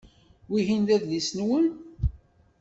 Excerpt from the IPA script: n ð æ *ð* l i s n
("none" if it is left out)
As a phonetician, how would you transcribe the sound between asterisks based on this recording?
ð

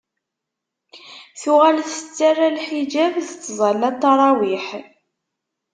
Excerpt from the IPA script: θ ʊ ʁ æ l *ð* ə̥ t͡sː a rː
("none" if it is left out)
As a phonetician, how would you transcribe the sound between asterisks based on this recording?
θ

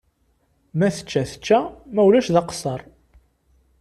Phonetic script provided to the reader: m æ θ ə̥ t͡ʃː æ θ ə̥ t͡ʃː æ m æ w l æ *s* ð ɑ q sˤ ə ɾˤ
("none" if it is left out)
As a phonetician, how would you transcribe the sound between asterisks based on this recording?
ʃ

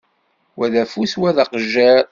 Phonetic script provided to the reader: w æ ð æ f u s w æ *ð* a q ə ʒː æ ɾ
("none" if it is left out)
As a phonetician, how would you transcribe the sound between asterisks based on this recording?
ð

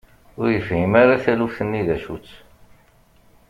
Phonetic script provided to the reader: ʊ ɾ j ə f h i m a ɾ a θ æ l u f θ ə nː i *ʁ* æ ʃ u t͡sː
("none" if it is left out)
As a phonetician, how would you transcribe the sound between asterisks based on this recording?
ð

